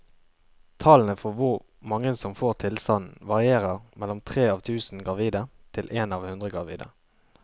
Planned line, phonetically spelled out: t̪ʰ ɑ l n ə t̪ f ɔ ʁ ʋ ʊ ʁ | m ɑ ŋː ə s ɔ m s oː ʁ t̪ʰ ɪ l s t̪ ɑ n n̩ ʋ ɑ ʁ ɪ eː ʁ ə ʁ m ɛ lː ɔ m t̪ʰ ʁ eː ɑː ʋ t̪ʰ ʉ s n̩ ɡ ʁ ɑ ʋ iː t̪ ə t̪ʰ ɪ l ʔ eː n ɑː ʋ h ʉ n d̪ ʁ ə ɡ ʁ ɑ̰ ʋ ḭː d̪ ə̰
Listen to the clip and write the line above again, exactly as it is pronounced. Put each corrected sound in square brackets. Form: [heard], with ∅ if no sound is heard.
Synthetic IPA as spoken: t̪ʰ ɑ l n ə [∅] f ɔ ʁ ʋ ʊ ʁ | m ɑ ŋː ə s ɔ m [f] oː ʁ t̪ʰ ɪ l s t̪ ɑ n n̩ ʋ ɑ ʁ ɪ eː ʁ ə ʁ m ɛ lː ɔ m t̪ʰ ʁ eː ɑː ʋ t̪ʰ [ʉː] s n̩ ɡ ʁ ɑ ʋ iː [d̪] ə t̪ʰ ɪ l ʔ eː n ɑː ʋ h ʉ n d̪ ʁ ə ɡ ʁ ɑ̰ ʋ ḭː d̪ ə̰

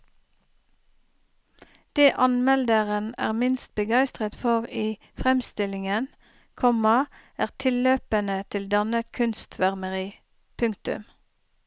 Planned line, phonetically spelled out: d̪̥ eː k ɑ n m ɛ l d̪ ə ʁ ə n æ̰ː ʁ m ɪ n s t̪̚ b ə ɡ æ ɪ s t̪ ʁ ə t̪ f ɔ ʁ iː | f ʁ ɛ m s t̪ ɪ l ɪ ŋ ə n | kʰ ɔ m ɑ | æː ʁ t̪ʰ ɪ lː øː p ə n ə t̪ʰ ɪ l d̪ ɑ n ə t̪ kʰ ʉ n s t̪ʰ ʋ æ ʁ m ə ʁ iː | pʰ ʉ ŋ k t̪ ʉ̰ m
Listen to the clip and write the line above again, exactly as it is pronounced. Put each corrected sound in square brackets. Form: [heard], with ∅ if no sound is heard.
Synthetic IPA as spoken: d̪̥ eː [ʔ] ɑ n m ɛ l d̪ ə ʁ ə n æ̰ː ʁ m ɪ n s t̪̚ b ə ɡ æ ɪ s t̪ ʁ ə t̪ f ɔ ʁ iː | f ʁ ɛ m s t̪ ɪ l ɪ ŋ ə n | kʰ ɔ m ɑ | æː ʁ t̪ʰ ɪ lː øː p ə n ə t̪ʰ ɪ l d̪ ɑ n ə t̪ kʰ ʉ n s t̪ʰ ʋ æ ʁ m ə ʁ iː | pʰ ʉ ŋ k t̪ ʉ̰ m

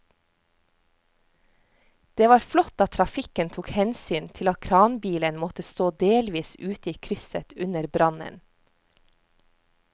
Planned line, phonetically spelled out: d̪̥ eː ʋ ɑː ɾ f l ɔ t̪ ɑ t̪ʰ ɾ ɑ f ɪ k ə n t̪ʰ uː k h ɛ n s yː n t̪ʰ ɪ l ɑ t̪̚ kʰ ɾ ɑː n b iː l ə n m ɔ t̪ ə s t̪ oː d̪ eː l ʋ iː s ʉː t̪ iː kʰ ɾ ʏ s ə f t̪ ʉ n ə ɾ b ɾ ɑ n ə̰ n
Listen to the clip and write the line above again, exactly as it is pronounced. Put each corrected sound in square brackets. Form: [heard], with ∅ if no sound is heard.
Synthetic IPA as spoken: d̪̥ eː ʋ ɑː ɾ f l ɔ t̪ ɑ t̪ʰ ɾ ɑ f ɪ k ə n t̪ʰ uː k h ɛ n s yː n t̪ʰ ɪ l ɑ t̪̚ kʰ ɾ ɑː n b iː l ə n m ɔ t̪ ə s t̪ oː d̪ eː l ʋ iː s ʉː t̪ iː kʰ ɾ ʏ s ə [∅] t̪ ʉ n ə ɾ b ɾ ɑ n ə̰ n

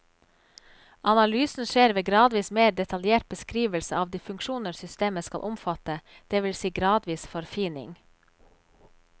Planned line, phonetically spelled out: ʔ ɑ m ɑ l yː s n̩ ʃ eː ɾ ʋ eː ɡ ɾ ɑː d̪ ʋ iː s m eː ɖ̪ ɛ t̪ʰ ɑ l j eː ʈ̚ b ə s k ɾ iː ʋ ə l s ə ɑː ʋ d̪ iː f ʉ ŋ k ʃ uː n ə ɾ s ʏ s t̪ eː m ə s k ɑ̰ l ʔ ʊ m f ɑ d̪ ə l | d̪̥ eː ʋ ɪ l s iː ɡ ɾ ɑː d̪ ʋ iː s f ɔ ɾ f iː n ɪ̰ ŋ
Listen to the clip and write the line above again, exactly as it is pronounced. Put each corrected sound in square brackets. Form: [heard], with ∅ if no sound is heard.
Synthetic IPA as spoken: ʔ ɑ [n] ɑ l yː s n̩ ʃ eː ɾ ʋ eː ɡ ɾ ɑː d̪ ʋ iː s m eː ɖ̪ ɛ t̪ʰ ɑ l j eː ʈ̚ b ə s k ɾ iː ʋ ə l s ə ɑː ʋ d̪ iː f ʉ ŋ k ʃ uː n ə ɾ s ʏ s t̪ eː m ə s k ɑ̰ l ʔ ʊ m f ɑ [t̪] ə [∅] | d̪̥ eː ʋ ɪ l s iː ɡ ɾ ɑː d̪ ʋ iː s f ɔ ɾ f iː n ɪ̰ ŋ

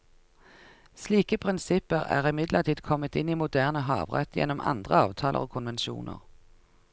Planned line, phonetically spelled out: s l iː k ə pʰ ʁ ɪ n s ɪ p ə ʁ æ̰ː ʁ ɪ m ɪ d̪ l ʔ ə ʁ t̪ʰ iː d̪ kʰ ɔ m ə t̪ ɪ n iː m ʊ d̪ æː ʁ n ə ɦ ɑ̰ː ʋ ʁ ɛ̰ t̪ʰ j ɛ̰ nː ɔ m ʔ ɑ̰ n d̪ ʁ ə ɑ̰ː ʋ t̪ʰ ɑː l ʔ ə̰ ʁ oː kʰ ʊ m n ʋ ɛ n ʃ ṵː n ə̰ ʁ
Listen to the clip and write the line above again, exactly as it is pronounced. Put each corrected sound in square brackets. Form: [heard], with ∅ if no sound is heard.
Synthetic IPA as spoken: s l iː k ə pʰ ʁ ɪ n s ɪ p ə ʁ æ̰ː ʁ ɪ m ɪ d̪ l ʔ ə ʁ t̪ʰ iː d̪ kʰ ɔ m ə t̪ ɪ n iː m ʊ d̪ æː ʁ n ə ɦ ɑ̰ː ʋ ʁ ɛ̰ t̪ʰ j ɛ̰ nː ɔ m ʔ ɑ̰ n d̪ ʁ ə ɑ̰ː ʋ t̪ʰ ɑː l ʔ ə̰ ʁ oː kʰ ʊ [∅] n ʋ ɛ n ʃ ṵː n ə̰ ʁ

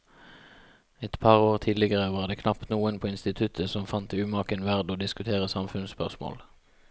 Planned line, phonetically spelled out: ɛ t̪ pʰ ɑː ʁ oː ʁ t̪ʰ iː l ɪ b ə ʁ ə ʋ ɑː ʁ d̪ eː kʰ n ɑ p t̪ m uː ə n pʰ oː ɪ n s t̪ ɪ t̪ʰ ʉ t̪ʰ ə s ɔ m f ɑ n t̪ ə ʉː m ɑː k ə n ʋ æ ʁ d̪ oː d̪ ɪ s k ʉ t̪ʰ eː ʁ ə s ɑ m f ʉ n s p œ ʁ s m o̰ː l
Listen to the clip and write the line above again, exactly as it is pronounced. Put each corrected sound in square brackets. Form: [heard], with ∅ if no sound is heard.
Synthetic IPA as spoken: ɛ t̪ pʰ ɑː ʁ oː ʁ t̪ʰ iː l ɪ [ɡ] ə ʁ ə ʋ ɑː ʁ d̪ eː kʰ n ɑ p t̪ [n] uː ə n pʰ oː ɪ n s t̪ ɪ t̪ʰ ʉ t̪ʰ ə s ɔ m f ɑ n t̪ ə ʉː m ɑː k ə n ʋ æ ʁ d̪ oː d̪ ɪ s k ʉ t̪ʰ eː ʁ ə s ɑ m f ʉ n s p œ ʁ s m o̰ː l

